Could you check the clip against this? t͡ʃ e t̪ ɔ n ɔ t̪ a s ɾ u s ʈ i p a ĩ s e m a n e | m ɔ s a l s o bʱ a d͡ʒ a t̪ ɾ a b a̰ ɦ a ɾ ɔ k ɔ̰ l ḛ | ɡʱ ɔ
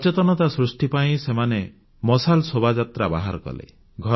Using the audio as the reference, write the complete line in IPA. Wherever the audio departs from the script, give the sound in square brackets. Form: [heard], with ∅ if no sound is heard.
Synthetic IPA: t͡ʃ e t̪ ɔ n ɔ t̪ a s ɾ u s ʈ i p a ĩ s e m a n e | m ɔ s a l s o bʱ a d͡ʒ a t̪ ɾ a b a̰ ɦ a ɾ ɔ k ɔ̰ l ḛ | ɡʱ ɔ